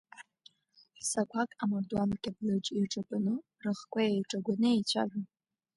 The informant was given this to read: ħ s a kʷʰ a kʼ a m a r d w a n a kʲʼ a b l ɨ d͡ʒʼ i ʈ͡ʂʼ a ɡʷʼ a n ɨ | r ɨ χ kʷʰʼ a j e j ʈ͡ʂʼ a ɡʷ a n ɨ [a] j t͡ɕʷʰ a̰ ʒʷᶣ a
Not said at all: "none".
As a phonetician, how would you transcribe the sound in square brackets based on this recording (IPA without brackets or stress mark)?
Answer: e